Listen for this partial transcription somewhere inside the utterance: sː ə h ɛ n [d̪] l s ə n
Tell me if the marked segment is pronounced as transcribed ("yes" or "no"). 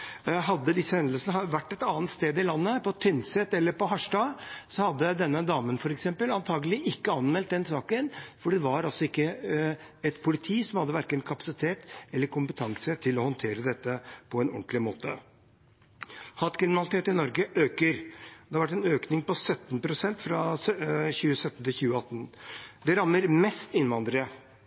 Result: yes